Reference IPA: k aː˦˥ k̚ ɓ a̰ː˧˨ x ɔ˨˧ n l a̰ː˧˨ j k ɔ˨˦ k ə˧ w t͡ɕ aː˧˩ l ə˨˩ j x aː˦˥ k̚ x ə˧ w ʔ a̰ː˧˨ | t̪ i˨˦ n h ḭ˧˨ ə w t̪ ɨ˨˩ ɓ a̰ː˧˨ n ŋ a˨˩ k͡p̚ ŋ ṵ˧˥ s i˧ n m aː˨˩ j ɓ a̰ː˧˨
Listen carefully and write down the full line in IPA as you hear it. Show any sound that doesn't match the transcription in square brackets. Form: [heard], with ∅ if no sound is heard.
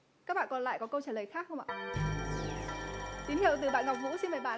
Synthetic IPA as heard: k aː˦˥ k̚ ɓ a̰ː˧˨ [k] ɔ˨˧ n l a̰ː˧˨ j k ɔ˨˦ k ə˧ w t͡ɕ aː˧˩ l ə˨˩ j x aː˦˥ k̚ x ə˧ w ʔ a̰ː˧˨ | t̪ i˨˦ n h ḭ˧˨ ə w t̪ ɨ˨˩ ɓ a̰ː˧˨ n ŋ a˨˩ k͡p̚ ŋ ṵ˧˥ s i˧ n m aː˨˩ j ɓ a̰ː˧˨